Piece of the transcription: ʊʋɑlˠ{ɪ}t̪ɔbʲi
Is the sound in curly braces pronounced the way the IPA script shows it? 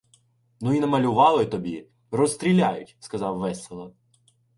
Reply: yes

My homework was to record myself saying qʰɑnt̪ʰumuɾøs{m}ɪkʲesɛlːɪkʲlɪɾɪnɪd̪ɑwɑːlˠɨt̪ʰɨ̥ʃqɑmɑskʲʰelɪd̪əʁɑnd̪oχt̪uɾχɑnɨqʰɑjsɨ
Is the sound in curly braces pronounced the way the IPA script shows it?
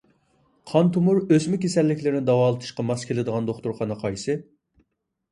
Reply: yes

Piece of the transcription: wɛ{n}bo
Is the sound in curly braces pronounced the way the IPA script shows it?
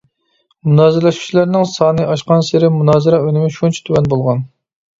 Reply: yes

